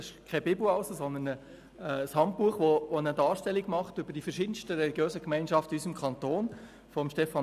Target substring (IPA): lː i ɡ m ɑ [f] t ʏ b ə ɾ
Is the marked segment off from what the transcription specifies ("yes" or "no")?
yes